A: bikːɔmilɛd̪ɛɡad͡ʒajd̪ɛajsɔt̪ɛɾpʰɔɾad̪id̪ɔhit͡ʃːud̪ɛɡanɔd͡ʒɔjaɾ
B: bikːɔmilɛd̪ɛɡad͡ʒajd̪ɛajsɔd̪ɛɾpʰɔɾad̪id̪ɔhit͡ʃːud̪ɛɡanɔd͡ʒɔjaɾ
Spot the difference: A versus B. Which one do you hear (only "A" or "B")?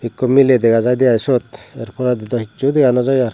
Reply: A